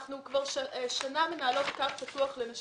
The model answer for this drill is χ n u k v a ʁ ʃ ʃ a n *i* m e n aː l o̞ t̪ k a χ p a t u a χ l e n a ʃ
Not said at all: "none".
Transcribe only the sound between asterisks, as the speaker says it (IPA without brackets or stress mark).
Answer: a